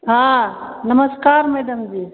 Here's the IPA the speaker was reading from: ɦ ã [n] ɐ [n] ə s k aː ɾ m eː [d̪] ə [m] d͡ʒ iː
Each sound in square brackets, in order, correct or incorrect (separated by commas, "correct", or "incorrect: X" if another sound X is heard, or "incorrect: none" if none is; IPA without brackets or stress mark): correct, incorrect: m, correct, correct